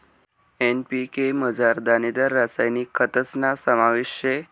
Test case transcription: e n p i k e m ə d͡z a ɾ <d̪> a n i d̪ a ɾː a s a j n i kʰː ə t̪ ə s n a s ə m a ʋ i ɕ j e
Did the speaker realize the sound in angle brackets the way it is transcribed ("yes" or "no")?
yes